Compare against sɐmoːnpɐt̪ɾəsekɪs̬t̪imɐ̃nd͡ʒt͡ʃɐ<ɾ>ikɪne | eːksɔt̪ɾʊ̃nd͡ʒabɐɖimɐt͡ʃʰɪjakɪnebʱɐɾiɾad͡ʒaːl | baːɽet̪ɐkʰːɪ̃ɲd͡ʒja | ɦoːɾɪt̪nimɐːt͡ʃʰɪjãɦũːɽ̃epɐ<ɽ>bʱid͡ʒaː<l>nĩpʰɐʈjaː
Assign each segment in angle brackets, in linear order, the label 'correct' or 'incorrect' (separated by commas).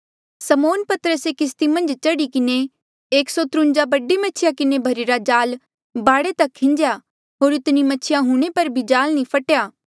incorrect, incorrect, correct